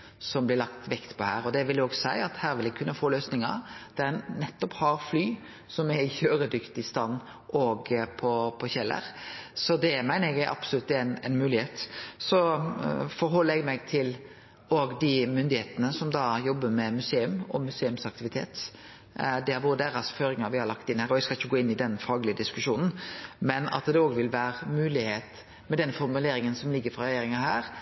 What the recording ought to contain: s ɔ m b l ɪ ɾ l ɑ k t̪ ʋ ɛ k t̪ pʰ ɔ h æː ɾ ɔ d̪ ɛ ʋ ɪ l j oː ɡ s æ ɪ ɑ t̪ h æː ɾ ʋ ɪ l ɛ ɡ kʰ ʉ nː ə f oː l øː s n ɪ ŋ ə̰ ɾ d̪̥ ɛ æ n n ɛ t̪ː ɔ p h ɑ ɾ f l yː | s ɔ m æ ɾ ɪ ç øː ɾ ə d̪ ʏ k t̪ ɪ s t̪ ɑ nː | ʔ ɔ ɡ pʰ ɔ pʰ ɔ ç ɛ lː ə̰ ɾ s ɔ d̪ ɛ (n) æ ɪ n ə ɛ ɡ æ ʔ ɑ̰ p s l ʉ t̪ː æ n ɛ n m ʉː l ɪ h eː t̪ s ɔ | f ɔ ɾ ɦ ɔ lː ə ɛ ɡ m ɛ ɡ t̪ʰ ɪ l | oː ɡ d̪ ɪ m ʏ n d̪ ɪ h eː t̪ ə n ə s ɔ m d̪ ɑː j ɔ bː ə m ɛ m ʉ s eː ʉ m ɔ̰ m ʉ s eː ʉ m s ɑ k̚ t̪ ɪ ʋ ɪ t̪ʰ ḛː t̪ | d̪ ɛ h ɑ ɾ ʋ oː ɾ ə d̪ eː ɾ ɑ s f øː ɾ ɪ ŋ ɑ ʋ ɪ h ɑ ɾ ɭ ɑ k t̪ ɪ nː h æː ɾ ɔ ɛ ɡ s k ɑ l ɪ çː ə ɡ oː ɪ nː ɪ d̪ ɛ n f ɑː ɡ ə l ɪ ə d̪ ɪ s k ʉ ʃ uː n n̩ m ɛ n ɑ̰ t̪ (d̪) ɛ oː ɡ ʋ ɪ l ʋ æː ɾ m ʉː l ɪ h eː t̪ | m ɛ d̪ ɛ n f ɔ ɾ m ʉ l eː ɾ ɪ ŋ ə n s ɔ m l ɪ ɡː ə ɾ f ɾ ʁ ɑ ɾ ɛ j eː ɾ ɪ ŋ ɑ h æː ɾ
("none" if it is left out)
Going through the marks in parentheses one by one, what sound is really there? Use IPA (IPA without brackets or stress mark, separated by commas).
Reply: m, d̪